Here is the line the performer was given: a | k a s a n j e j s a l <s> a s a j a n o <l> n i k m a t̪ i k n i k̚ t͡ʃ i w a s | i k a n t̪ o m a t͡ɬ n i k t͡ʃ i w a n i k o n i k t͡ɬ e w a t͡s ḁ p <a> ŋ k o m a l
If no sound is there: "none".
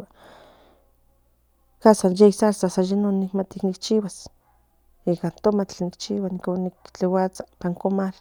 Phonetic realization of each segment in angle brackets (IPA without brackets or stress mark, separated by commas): s, none, a